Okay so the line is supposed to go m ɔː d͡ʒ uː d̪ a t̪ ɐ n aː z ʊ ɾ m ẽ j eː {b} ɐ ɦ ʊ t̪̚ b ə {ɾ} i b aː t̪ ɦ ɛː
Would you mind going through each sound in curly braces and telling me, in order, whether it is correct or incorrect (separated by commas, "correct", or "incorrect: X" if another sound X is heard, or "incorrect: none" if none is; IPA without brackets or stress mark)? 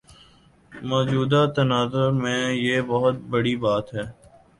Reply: correct, incorrect: ɽ